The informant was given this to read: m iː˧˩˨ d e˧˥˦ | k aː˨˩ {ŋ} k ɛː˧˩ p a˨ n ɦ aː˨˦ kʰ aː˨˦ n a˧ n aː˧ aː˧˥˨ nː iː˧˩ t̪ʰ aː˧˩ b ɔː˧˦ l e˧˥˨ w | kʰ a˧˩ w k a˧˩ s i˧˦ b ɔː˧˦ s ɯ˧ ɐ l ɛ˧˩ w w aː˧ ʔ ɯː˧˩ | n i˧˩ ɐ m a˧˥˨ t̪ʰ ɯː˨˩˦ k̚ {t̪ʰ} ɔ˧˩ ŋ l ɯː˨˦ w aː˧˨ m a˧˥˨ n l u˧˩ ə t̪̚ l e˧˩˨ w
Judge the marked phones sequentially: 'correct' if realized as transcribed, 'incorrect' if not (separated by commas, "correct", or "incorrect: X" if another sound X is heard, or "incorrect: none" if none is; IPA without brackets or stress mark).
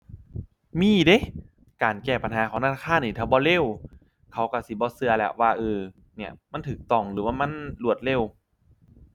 incorrect: n, incorrect: t̪